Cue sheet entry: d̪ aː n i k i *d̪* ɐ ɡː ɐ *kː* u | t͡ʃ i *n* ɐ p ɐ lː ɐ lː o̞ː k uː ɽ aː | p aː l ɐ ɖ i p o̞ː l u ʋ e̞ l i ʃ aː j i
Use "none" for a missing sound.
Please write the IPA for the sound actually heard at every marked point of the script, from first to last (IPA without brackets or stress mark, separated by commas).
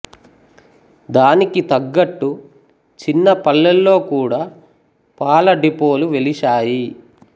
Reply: t̪, ʈː, nː